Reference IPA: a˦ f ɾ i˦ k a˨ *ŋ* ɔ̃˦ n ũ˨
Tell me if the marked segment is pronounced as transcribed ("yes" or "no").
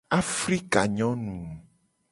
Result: no